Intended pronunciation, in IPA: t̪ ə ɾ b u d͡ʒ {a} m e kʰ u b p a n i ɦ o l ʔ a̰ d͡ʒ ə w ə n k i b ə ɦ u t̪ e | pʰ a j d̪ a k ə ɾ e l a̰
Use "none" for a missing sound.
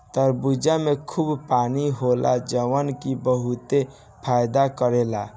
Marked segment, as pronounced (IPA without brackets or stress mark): a